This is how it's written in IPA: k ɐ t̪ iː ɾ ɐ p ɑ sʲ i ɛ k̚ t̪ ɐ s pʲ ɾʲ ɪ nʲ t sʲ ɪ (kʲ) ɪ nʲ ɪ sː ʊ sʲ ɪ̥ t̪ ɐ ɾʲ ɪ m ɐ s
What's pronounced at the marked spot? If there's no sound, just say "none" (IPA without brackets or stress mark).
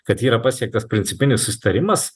pʲ